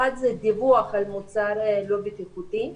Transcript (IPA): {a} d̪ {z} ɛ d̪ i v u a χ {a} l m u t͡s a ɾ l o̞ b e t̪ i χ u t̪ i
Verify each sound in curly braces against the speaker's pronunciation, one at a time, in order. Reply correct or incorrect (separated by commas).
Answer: correct, correct, correct